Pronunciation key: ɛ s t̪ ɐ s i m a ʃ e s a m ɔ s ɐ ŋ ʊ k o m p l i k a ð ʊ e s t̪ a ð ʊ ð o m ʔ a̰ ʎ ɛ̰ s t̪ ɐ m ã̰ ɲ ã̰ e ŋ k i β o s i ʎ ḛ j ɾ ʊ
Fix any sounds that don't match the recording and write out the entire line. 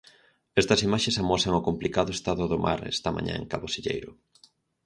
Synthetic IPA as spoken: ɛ s t̪ ɐ s i m a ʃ e s a m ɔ s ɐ ŋ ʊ k o m p l i k a ð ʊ e s t̪ a ð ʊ ð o m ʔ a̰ ɾ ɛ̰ s t̪ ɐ m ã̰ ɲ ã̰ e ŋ k a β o s i ʎ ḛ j ɾ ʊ